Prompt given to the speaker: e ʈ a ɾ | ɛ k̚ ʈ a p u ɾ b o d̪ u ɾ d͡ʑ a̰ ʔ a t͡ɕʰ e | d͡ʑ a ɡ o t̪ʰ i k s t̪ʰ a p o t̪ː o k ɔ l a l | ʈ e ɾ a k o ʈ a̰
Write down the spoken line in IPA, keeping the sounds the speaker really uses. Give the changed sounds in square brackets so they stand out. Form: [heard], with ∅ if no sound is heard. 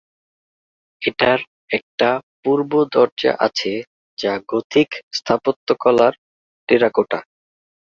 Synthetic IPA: e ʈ a ɾ | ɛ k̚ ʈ a p u ɾ b o d̪ [ɔ] ɾ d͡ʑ a̰ ʔ a t͡ɕʰ e | d͡ʑ a ɡ o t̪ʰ i k s t̪ʰ a p o t̪ː o k ɔ l a [ɾ] | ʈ e ɾ a k o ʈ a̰